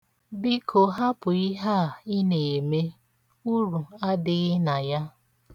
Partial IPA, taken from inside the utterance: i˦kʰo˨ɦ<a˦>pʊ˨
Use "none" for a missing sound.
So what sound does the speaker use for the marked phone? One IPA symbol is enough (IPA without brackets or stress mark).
a˦